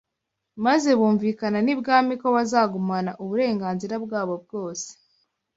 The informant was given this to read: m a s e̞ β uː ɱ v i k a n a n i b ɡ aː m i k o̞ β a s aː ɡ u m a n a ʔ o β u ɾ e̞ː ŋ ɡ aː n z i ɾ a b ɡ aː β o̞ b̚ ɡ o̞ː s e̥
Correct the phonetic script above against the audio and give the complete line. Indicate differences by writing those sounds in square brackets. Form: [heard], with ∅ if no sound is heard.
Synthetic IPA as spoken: m a [z] e̞ β uː ɱ v i k a n a n i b ɡ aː m i k o̞ β a [z] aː ɡ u m a n a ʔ [u] β u ɾ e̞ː ŋ ɡ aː n z i ɾ a b ɡ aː β o̞ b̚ ɡ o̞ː s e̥